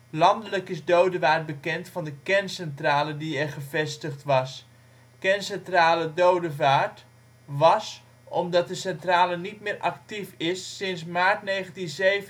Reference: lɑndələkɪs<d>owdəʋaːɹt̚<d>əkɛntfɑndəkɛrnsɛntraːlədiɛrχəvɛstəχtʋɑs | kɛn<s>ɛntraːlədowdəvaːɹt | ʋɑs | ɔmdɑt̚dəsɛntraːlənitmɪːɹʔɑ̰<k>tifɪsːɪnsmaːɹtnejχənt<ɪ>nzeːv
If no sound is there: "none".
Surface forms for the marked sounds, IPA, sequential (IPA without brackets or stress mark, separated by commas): d, b, s, k, i